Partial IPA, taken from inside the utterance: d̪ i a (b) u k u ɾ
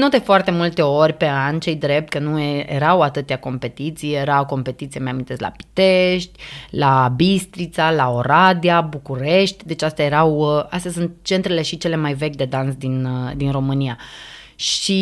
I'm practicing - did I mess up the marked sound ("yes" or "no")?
no